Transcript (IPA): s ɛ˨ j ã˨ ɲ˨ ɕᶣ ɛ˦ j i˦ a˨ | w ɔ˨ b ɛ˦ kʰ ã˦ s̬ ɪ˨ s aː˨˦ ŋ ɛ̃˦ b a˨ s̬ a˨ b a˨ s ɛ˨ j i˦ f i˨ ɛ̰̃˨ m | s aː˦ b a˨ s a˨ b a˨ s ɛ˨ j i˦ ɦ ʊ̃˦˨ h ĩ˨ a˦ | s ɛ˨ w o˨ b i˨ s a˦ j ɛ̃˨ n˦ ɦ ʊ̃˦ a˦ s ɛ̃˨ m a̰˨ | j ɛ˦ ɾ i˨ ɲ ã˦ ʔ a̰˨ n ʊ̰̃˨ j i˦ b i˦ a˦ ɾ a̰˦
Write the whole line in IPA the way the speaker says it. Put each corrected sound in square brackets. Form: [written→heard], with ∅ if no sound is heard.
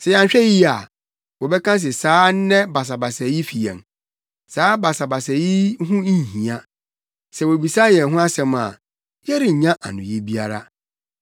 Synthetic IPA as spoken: s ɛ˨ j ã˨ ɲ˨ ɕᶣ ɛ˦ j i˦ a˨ | w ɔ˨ b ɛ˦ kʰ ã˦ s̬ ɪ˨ s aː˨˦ [ŋ→n] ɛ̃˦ b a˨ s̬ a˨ b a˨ s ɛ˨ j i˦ f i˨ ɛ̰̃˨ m | s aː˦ b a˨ s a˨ b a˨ s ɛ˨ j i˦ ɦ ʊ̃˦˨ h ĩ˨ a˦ | s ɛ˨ w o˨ b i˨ s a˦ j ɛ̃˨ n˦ ɦ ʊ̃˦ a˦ s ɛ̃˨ m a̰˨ | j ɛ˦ ɾ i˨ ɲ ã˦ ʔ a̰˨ n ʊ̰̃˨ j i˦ b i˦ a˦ ɾ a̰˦

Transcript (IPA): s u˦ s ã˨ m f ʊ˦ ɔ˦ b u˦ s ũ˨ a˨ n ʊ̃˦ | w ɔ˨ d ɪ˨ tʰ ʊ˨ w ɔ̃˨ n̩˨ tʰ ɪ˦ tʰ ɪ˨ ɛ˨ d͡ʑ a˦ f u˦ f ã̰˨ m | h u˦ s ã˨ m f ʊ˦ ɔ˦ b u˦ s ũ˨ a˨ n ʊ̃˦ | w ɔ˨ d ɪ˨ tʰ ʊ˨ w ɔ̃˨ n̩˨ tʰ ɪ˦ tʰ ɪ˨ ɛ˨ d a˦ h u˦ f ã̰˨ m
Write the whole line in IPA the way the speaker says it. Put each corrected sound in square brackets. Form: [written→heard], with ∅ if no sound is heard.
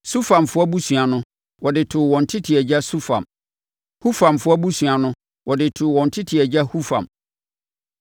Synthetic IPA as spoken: s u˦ [s→f] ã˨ m f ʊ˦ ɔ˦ b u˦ s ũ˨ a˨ n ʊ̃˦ | w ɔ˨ d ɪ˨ tʰ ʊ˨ w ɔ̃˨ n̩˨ tʰ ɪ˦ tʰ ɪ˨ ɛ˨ d͡ʑ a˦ [f→s] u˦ f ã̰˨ m | h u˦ [s→f] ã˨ m f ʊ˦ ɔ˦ b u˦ s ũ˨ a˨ n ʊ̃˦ | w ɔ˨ d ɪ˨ tʰ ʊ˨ w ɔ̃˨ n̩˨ tʰ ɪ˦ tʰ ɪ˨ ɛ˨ [d→d͡ʑ] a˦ h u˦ f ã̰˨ m

